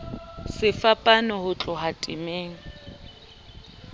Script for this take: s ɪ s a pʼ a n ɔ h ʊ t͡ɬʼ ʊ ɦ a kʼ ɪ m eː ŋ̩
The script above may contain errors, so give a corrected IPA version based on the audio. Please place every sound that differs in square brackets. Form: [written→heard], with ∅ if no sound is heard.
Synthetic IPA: s ɪ [s→f] a pʼ a n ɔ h ʊ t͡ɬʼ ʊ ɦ a [kʼ→tʼ] ɪ m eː ŋ̩